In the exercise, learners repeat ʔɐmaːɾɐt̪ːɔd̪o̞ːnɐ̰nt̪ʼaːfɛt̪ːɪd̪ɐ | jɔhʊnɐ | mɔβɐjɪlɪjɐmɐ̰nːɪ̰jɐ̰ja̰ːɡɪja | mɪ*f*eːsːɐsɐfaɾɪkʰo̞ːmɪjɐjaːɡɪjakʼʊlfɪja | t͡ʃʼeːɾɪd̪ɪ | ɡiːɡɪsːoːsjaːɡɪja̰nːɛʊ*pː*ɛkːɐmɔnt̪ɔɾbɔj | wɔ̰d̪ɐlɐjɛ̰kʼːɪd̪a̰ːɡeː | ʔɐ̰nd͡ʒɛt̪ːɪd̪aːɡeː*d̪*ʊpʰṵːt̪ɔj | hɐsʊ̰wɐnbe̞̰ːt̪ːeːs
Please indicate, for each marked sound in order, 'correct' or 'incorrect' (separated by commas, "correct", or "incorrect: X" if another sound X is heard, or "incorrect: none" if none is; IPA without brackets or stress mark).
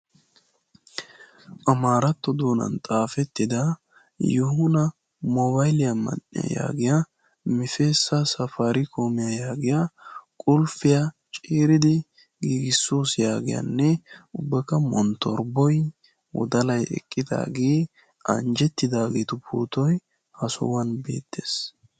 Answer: correct, incorrect: bː, incorrect: t̪